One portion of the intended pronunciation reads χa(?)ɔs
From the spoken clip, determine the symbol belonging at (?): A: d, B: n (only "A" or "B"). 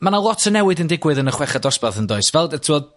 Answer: A